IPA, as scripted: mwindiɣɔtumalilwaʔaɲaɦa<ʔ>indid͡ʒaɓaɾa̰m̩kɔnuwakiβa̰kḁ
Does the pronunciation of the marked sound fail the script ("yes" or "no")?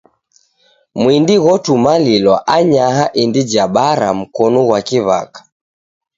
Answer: no